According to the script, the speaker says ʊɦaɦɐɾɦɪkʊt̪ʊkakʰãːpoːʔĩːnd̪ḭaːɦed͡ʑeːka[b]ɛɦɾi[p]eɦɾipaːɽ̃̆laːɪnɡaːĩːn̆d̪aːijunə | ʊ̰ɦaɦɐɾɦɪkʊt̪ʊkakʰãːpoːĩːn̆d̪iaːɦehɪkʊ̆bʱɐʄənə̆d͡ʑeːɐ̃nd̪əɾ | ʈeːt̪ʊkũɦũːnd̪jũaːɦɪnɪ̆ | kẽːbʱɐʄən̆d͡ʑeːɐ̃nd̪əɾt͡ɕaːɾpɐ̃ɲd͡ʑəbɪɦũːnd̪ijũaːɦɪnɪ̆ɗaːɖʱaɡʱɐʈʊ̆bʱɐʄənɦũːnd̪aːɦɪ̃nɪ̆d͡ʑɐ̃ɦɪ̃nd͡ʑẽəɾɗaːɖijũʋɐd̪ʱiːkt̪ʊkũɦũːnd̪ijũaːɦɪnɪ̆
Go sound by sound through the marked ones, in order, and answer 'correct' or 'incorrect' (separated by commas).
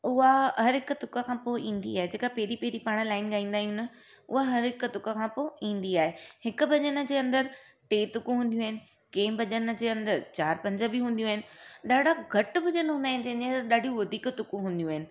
incorrect, correct